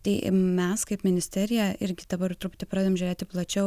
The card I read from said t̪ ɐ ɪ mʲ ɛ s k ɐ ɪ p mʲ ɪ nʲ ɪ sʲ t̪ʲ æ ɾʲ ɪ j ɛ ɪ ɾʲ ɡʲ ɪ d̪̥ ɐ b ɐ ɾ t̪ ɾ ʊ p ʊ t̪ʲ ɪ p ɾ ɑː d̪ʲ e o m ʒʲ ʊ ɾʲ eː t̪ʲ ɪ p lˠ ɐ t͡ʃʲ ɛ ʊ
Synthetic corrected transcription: t̪ ɐ ɪ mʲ ɛ s k ɐ ɪ p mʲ ɪ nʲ ɪ sʲ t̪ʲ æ ɾʲ ɪ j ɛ ɪ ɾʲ ɡʲ ɪ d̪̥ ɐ b ɐ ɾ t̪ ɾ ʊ p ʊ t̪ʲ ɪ p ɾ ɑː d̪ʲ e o m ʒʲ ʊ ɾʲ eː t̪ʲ ɪ p lˠ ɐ t͡ʃʲ ɛ ʊ